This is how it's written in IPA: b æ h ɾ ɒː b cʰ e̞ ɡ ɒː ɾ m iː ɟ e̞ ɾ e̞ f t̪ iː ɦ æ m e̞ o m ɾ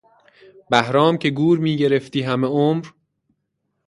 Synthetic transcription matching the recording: b æ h ɾ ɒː m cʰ e̞ ɡ uː ɾ m iː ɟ e̞ ɾ e̞ f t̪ iː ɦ æ m e̞ o m ɾ